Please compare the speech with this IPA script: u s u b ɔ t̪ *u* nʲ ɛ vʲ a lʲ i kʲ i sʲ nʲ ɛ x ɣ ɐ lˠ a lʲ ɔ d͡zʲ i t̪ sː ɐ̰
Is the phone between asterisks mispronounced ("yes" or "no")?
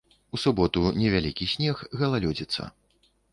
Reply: no